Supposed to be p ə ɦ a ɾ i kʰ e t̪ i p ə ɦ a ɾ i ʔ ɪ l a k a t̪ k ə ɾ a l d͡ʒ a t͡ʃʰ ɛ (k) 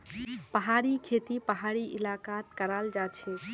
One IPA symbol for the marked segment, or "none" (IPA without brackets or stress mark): none